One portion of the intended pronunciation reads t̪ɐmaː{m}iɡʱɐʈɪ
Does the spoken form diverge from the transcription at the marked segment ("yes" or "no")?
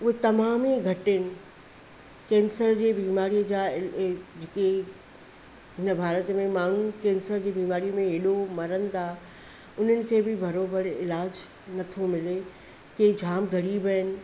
no